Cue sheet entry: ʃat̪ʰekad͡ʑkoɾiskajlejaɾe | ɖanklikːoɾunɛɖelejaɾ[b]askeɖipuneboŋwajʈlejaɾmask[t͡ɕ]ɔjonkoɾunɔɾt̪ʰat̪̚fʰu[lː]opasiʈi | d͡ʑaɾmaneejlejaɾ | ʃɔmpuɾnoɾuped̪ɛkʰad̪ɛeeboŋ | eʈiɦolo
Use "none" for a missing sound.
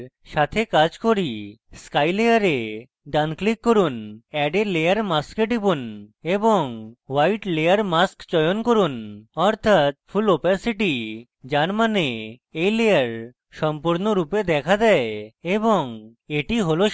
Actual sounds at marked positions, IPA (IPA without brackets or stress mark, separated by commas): m, t͡ɕ, l